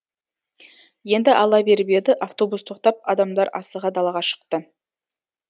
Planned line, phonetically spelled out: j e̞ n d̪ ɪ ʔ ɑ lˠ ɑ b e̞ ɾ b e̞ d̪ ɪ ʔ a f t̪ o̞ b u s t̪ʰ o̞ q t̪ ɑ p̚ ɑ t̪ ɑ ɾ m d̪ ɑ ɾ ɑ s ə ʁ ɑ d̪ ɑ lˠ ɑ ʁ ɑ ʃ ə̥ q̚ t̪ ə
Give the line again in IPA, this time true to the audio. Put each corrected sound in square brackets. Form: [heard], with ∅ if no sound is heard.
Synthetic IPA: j e̞ n d̪ ɪ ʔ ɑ lˠ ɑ b e̞ ɾ b e̞ d̪ ɪ ʔ a f t̪ o̞ b u s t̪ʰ o̞ q t̪ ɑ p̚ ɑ [d̪] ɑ [∅] m d̪ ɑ ɾ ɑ s ə ʁ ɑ d̪ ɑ lˠ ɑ ʁ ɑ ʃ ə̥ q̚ t̪ ə

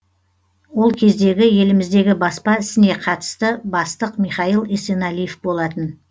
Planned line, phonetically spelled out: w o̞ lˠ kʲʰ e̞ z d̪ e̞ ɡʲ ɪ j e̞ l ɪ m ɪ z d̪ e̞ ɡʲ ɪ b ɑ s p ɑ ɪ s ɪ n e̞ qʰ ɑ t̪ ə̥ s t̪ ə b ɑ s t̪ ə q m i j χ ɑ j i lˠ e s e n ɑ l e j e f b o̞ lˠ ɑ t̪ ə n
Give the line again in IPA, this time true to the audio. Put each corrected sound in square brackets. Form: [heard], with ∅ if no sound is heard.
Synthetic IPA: w o̞ lˠ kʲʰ e̞ z d̪ e̞ ɡʲ ɪ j e̞ l ɪ m ɪ z d̪ e̞ ɡʲ ɪ b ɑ s p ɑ ɪ s ɪ n e̞ qʰ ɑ t̪ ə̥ s t̪ ə b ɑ s t̪ ə q m i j χ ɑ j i lˠ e s e n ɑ l [i] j e f b o̞ lˠ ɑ t̪ ə n

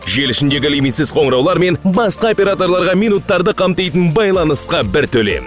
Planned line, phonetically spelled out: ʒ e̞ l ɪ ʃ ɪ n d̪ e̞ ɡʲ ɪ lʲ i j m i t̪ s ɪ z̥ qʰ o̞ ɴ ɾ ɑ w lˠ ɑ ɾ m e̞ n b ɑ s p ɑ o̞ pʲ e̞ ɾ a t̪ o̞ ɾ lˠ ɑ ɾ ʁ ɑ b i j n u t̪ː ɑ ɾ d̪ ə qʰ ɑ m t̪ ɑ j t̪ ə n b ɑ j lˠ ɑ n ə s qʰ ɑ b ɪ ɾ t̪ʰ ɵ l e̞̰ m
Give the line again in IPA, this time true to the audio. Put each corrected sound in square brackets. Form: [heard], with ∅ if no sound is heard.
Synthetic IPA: ʒ e̞ l ɪ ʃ ɪ n d̪ e̞ ɡʲ ɪ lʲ i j m i t̪ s ɪ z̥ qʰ o̞ ɴ ɾ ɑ w lˠ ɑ ɾ m e̞ n b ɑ s [q] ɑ o̞ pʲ e̞ ɾ a t̪ o̞ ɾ lˠ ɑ ɾ ʁ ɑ [m] i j n u t̪ː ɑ ɾ d̪ ə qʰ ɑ m t̪ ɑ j t̪ ə n b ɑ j lˠ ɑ n ə s [q] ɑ b ɪ ɾ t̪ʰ ɵ l e̞̰ m

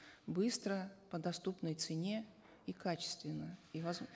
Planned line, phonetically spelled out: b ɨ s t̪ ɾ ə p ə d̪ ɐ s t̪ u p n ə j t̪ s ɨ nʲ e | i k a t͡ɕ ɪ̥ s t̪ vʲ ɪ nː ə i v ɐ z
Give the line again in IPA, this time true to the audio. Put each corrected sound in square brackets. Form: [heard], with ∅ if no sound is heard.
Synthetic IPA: b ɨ s t̪ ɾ ə p ə d̪ ɐ s t̪ u p n ə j t̪ s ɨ nʲ e | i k a t͡ɕ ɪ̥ s t̪ vʲ ɪ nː ə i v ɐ z

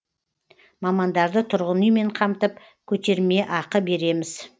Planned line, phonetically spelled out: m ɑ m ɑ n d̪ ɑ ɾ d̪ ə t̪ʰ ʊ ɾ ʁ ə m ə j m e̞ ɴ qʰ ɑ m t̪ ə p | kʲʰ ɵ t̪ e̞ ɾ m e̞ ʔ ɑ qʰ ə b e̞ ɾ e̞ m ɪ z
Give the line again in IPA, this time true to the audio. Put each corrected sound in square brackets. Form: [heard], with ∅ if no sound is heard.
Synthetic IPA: m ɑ m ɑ n d̪ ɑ ɾ d̪ ə t̪ʰ ʊ ɾ ʁ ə [n] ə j m e̞ ɴ qʰ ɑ m t̪ ə p | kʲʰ ɵ t̪ e̞ ɾ m e̞ ʔ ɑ [q] ə b e̞ ɾ e̞ m ɪ z

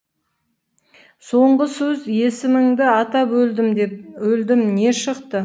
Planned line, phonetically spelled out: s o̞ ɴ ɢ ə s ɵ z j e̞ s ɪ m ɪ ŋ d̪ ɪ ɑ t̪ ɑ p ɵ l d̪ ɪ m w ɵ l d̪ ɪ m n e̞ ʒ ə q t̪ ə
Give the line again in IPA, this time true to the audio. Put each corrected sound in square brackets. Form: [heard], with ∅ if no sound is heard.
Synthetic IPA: s o̞ ɴ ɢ ə s ɵ z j e̞ s ɪ m ɪ ŋ d̪ ɪ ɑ t̪ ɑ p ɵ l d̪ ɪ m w ɵ l d̪ ɪ m n e̞ [ʃ] ə q t̪ ə

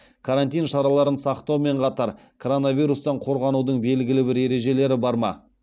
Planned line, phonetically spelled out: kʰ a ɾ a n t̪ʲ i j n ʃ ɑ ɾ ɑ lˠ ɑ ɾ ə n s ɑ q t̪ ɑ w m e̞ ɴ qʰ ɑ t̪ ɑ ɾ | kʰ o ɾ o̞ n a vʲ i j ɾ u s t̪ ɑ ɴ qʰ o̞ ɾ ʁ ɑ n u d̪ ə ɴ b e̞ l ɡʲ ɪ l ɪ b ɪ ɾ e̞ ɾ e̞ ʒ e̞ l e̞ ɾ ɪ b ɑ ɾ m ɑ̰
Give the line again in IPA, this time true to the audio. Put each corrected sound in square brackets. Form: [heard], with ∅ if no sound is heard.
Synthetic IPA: kʰ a ɾ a n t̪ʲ i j n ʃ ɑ ɾ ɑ lˠ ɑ ɾ ə n s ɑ q t̪ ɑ w m e̞ ɴ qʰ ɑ t̪ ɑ ɾ | kʰ o ɾ o̞ n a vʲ i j ɾ u s t̪ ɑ ɴ qʰ o̞ ɾ ʁ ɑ n u d̪ ə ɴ b e̞ l ɡʲ ɪ l ɪ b ɪ ɾ e̞ ɾ e̞ ʒ e̞ l e̞ ɾ ɪ b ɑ ɾ m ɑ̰

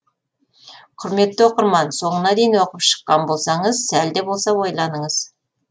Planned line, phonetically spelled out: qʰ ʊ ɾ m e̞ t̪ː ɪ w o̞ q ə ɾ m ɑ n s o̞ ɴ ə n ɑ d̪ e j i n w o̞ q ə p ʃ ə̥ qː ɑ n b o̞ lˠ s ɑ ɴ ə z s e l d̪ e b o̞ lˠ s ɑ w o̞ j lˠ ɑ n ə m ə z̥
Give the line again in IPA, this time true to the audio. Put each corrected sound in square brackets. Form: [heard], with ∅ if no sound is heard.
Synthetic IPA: qʰ ʊ ɾ m e̞ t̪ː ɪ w o̞ q ə ɾ m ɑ n s o̞ ɴ ə n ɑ d̪ e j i n w o̞ q ə p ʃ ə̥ qː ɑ n b o̞ lˠ s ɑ ɴ ə z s [æ] l d̪ e b o̞ lˠ s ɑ w o̞ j lˠ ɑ n ə [ɴ] ə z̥

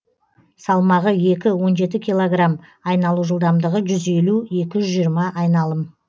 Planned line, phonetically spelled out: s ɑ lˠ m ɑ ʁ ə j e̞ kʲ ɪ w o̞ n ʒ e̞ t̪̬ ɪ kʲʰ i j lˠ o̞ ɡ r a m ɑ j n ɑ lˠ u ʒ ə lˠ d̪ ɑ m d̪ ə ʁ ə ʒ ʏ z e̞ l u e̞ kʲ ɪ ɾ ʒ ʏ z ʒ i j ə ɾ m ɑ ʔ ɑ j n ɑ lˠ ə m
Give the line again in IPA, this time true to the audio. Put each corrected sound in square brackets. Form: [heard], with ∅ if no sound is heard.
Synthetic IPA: s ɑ lˠ m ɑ ʁ ə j e̞ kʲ ɪ w o̞ n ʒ e̞ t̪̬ ɪ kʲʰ i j lˠ o̞ ɡ r a m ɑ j n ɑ lˠ u ʒ ə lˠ d̪ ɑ m d̪ ə ʁ ə ʒ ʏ z e̞ l u e̞ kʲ ɪ [∅] ʒ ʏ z ʒ i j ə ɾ m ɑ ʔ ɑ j n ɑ lˠ ə m

